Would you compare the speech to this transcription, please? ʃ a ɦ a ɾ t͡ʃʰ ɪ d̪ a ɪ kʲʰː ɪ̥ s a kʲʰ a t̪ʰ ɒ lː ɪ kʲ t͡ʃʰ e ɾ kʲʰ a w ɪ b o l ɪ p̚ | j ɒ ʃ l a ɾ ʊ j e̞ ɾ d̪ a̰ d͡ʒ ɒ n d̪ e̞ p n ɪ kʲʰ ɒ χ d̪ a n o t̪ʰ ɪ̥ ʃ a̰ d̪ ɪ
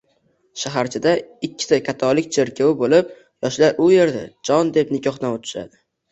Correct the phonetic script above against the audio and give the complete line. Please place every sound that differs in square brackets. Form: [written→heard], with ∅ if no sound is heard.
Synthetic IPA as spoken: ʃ a ɦ a ɾ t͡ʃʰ ɪ d̪ a ɪ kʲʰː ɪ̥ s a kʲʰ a t̪ʰ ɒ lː ɪ kʲ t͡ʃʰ e ɾ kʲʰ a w ɪ b o l ɪ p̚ | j ɒ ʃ l a ɾ ʊ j e̞ ɾ d̪ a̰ d͡ʒ ɒ n d̪ e̞ p n ɪ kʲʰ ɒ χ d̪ a n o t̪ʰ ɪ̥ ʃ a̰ d̪ ɪ